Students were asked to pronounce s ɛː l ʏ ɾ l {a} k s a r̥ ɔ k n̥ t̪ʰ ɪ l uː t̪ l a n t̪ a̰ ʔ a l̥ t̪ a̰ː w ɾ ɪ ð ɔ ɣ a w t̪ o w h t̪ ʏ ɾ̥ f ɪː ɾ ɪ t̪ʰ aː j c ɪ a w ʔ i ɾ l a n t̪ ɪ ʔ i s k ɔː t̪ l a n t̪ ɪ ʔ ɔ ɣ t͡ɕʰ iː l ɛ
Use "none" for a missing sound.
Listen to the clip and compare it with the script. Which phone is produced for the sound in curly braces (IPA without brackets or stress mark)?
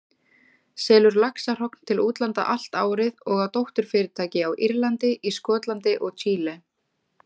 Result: a